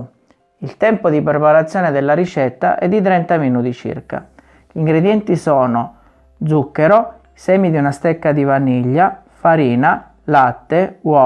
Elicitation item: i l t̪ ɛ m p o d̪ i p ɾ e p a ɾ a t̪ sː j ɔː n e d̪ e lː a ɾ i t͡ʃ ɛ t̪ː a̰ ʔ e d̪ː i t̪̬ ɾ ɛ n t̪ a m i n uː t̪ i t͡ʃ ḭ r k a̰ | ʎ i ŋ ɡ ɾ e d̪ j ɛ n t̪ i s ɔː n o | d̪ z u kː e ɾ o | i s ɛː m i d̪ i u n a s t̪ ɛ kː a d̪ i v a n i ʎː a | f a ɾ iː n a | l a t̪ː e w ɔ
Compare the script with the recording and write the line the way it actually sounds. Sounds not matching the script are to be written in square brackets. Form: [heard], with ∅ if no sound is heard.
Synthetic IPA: i l t̪ ɛ m p o d̪ i p ɾ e p a ɾ a t̪ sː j ɔː n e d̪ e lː a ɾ i t͡ʃ ɛ t̪ː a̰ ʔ [ɛ] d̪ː i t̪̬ ɾ ɛ n t̪ a m i n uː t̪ i t͡ʃ ḭ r k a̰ | ʎ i ŋ ɡ ɾ e d̪ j ɛ n t̪ i s ɔː n o | d̪ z u kː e ɾ o | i s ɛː m i d̪ i u n a s t̪ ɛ kː a d̪ i v a n i ʎː a | f a ɾ iː n a | l a t̪ː e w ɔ